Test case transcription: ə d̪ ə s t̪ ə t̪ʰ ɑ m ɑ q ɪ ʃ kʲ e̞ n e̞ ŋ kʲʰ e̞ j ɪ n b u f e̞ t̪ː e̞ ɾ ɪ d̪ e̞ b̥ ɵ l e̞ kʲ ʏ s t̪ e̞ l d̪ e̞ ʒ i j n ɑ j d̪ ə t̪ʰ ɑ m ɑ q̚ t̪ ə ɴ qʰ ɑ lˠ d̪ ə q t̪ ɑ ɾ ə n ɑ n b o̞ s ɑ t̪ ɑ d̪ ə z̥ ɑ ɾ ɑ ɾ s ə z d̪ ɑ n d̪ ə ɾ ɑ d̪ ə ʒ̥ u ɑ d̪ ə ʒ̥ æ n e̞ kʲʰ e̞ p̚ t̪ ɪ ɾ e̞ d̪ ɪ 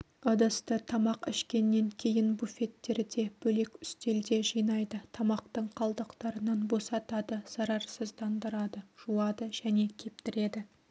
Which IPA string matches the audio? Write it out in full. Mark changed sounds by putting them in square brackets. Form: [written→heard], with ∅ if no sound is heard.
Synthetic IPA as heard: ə d̪ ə s t̪ ə t̪ʰ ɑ m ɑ q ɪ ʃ kʲ e̞ [n→nː] e̞ ŋ kʲʰ e̞ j ɪ n b u f e̞ t̪ː e̞ ɾ ɪ d̪ e̞ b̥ ɵ l e̞ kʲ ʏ s t̪ e̞ l d̪ e̞ ʒ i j n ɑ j d̪ ə t̪ʰ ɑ m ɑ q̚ t̪ ə ɴ qʰ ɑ lˠ d̪ ə q t̪ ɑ ɾ ə n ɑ n b o̞ s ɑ t̪ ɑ d̪ ə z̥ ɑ ɾ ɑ ɾ s ə z d̪ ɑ n d̪ ə ɾ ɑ d̪ ə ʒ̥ u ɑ d̪ ə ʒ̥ æ n e̞ kʲʰ e̞ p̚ t̪ ɪ ɾ e̞ d̪ ɪ